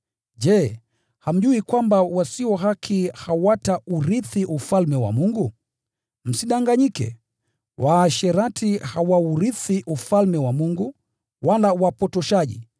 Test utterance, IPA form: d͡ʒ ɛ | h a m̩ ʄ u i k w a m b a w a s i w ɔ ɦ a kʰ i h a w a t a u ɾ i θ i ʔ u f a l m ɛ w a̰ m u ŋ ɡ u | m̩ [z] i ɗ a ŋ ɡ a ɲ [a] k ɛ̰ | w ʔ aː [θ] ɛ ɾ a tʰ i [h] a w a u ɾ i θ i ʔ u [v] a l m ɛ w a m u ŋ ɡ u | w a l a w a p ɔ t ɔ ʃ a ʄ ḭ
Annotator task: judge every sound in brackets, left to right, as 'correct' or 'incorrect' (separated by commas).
incorrect, incorrect, incorrect, correct, incorrect